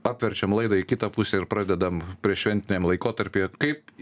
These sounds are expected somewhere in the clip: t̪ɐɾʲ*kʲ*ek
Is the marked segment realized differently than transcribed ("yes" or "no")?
yes